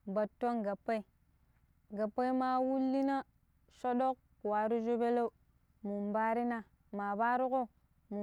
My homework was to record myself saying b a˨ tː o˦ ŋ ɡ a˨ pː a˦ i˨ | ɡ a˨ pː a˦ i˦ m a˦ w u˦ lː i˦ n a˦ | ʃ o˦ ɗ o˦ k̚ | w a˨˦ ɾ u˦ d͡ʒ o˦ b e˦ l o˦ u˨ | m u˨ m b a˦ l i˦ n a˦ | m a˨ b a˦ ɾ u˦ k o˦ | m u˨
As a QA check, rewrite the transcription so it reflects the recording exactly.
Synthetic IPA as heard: b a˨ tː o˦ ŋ ɡ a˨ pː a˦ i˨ | ɡ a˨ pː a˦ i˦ m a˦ w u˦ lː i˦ n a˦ | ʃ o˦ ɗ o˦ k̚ | w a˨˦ ɾ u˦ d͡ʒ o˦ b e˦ l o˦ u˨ | m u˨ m b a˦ ɾ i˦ n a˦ | m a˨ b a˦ ɾ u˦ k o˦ | m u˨